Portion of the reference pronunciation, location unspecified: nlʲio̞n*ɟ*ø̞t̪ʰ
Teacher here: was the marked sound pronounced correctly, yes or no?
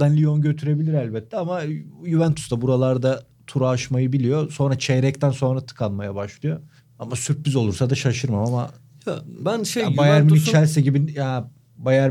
yes